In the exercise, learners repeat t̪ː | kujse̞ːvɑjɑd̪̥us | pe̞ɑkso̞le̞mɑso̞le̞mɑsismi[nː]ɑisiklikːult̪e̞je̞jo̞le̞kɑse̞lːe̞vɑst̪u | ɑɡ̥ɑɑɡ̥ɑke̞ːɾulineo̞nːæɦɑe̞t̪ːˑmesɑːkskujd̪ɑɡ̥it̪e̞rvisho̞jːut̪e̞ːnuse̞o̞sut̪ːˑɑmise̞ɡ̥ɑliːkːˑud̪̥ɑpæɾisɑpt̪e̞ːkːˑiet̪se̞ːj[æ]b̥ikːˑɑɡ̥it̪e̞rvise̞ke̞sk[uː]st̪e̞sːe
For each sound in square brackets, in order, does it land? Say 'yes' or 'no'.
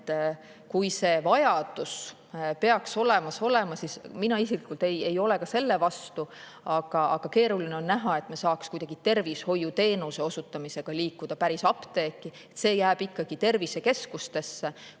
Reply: no, no, no

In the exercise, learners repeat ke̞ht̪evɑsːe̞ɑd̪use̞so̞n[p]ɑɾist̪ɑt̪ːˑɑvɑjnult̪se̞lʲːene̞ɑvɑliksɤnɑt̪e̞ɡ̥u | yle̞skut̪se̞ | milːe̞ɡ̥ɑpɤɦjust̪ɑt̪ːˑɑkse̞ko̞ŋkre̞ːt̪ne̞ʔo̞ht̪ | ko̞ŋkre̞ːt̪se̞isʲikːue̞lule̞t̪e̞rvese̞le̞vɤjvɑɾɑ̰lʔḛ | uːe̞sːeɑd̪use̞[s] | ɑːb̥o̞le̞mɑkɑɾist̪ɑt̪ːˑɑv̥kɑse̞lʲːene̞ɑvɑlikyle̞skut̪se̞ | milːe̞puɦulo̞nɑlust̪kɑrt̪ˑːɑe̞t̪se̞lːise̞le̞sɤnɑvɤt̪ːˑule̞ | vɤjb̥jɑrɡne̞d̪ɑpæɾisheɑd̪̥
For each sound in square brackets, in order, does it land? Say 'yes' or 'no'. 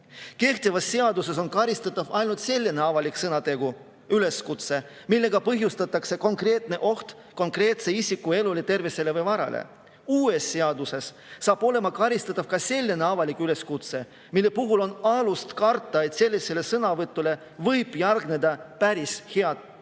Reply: no, no

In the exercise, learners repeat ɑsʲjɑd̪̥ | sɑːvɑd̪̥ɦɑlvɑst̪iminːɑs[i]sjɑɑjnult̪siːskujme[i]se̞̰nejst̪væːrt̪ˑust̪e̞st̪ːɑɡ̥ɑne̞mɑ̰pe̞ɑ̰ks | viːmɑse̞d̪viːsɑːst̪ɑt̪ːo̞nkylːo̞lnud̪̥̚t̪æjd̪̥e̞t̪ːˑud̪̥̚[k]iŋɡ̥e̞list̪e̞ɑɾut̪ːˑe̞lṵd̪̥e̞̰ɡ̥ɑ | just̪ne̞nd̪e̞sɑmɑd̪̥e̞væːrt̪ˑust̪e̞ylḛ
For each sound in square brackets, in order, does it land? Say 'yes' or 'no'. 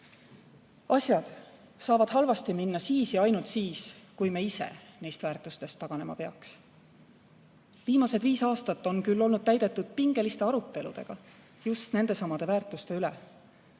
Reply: no, yes, no

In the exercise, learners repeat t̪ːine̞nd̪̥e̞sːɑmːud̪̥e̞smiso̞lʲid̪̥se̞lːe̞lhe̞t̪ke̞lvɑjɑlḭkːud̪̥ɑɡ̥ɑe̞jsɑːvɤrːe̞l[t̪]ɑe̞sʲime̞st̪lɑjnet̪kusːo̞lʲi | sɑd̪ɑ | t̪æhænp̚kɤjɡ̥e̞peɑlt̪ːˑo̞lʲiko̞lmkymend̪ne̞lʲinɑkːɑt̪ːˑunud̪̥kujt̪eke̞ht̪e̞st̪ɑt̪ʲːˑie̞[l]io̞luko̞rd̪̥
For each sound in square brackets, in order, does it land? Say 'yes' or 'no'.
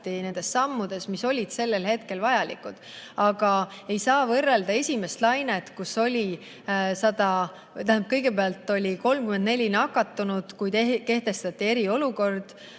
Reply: no, no

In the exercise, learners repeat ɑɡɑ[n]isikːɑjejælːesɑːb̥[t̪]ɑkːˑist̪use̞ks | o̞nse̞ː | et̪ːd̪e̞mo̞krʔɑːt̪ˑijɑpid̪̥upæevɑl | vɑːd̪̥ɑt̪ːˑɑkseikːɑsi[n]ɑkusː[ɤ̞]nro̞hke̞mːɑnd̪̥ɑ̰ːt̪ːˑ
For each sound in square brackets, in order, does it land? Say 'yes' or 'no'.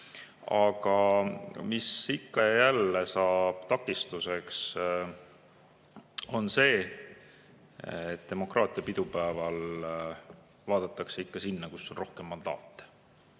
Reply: no, yes, no, no

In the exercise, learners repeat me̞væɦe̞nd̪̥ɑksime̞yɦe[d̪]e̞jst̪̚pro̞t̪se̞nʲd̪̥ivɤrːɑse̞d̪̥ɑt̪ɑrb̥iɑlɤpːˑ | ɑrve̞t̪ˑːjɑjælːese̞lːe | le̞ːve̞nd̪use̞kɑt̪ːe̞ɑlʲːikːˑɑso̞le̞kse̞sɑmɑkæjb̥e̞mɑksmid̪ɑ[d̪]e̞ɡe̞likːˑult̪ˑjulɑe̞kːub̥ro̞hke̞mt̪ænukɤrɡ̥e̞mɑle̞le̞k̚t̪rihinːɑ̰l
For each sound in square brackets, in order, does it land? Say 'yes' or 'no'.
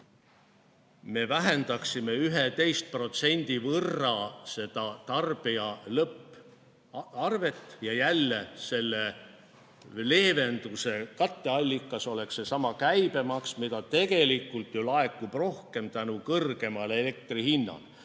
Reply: no, no

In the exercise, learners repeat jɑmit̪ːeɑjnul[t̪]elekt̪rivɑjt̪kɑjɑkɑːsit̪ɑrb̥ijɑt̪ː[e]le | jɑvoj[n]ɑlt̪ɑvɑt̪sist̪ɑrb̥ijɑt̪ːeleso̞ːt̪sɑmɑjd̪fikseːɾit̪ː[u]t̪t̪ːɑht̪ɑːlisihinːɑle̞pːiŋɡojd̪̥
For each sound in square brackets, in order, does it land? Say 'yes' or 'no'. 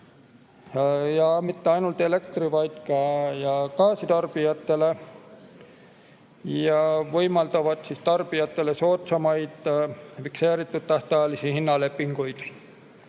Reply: yes, yes, no, yes

